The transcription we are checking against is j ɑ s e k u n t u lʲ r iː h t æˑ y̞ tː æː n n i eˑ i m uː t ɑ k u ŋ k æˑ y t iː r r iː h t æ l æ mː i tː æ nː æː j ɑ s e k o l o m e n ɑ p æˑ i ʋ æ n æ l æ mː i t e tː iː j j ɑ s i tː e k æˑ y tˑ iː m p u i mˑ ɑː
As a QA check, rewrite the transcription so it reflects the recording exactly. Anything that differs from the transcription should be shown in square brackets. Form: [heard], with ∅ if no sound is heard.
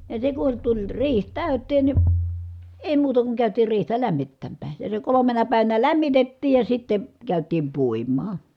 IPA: j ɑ s e k u n t u lʲ r iː h t æˑ y̞ tː [eː] n n i eˑ i m uː t ɑ k u ŋ k æˑ y t iː r r iː h t æ l æ mː i tː æ [mː] æː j ɑ s e k o l o m e n ɑ p æˑ i ʋ æ n æ l æ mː i t e tː iː j j ɑ s i tː e k æˑ y tˑ iː m p u i mˑ ɑː

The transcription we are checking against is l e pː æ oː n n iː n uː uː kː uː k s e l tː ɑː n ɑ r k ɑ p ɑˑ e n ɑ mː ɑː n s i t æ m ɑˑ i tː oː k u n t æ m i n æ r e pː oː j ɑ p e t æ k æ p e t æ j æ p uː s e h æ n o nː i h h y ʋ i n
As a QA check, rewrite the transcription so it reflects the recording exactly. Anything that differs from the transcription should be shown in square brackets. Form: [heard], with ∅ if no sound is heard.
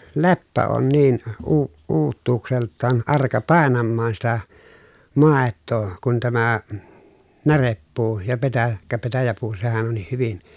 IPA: l e pː æ oː n n iː n uː uː [tː] uː k s e l tː ɑː n ɑ r k ɑ p ɑˑ e n ɑ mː ɑː n s i t æ m ɑˑ [e] tː oː k u n t æ m [æ] n æ r e pː [uː] j ɑ p e t æ k æ p e t æ j æ p uː s e h æ n o nː i h h y ʋ i n

